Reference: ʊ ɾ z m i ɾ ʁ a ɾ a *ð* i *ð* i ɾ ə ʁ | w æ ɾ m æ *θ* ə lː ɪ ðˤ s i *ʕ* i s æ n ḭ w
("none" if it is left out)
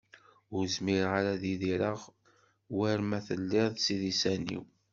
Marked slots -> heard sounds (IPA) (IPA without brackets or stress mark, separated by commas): ð, ð, θ, ð